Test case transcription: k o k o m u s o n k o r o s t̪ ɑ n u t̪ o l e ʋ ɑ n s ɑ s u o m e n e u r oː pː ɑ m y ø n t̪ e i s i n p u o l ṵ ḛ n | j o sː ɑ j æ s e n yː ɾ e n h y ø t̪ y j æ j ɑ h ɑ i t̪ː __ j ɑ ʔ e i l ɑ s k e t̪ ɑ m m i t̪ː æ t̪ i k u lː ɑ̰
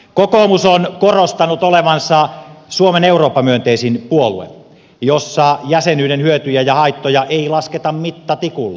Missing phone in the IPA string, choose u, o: o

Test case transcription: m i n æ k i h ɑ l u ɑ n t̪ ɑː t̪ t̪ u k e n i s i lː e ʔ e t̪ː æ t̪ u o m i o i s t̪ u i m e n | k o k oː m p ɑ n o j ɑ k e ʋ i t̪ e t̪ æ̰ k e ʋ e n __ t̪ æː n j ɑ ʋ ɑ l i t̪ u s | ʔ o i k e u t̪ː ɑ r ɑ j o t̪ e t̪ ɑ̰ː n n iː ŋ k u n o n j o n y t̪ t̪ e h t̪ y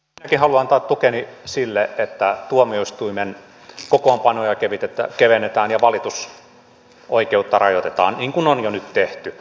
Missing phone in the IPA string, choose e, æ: e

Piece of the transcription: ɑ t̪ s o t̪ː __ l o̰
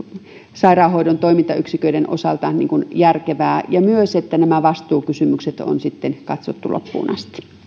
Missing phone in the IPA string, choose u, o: u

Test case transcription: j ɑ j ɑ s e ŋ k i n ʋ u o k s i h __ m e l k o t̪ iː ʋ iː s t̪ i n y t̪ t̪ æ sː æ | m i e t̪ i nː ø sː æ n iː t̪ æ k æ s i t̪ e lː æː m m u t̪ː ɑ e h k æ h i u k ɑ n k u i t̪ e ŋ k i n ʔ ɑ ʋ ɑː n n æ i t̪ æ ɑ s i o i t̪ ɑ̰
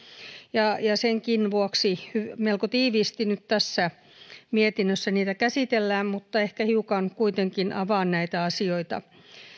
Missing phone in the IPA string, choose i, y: y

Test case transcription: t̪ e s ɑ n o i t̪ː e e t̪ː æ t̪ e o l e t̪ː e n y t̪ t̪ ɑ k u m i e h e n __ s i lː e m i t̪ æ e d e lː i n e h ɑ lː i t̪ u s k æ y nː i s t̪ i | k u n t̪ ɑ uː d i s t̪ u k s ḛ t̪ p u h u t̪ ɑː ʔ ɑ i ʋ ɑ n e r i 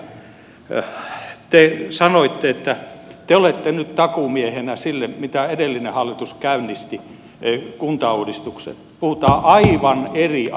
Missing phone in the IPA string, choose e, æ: æ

